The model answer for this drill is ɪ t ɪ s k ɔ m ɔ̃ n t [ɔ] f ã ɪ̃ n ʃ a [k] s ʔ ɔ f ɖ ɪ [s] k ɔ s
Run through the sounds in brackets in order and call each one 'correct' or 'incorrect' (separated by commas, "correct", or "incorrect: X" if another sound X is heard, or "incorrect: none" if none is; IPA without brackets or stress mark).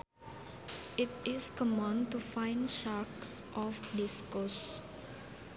incorrect: u, correct, correct